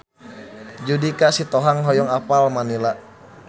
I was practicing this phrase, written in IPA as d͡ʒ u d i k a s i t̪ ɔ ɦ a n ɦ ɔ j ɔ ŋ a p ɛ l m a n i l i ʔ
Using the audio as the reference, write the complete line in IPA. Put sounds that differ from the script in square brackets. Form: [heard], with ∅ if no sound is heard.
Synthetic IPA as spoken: d͡ʒ u d i k a s i t̪ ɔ ɦ a [ŋ] ɦ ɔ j ɔ ŋ a p [a] l m a n i l [a] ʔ